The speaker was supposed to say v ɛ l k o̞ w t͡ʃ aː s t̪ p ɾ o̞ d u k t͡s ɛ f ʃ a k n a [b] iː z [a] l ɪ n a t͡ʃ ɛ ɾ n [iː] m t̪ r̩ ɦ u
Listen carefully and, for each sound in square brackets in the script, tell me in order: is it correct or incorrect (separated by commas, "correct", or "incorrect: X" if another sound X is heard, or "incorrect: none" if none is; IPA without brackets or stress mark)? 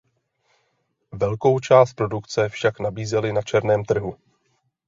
correct, incorrect: ɛ, incorrect: ɛː